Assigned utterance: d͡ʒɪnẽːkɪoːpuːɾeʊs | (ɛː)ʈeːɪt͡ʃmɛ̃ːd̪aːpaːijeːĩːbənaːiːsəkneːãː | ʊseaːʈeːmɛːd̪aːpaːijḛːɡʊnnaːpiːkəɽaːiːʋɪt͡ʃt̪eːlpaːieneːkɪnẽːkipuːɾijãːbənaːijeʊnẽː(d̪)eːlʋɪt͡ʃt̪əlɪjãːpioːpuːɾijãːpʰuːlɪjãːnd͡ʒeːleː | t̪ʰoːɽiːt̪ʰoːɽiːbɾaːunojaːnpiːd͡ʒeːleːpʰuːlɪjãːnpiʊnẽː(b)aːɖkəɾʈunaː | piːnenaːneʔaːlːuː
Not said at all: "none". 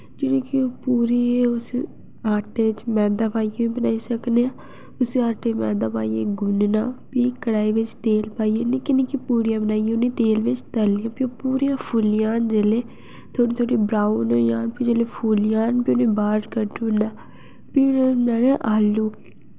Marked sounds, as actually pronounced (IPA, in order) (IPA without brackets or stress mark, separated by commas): aː, t̪, b